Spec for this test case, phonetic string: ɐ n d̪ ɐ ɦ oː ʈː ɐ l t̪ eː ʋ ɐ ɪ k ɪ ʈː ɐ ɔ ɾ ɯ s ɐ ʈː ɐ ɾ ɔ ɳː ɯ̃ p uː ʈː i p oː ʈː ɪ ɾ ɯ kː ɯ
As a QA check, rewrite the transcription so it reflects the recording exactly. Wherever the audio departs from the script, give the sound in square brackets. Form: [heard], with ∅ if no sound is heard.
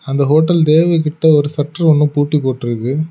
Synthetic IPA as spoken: ɐ n d̪ ɐ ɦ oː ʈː ɐ l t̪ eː ʋ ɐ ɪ k ɪ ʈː ɐ ɔ ɾ ɯ s ɐ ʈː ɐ ɾ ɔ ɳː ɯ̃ p uː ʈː i p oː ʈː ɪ ɾ ɯ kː ɯ